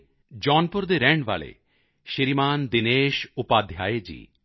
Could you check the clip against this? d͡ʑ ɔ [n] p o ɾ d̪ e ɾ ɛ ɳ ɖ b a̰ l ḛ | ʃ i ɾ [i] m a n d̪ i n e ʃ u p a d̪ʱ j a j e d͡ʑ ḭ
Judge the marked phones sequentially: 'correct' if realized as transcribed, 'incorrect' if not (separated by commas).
correct, correct